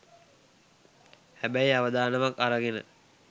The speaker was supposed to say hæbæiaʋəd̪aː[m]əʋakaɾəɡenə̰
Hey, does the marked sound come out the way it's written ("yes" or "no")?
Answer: no